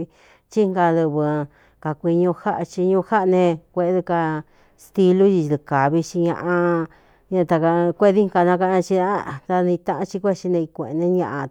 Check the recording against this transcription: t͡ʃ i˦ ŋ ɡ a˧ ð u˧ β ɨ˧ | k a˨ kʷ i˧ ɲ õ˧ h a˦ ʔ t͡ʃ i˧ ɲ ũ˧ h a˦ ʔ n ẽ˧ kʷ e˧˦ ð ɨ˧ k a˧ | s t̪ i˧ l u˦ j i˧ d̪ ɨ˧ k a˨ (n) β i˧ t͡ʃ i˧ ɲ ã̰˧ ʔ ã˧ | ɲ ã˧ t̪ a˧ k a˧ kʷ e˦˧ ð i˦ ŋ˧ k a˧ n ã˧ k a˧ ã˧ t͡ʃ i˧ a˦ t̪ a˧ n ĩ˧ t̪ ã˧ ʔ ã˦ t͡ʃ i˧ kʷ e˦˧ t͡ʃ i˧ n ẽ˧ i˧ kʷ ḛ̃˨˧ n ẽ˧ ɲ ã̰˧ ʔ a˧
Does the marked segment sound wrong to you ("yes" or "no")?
yes